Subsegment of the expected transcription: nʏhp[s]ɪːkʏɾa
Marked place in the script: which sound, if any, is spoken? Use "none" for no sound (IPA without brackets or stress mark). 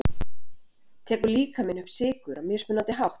s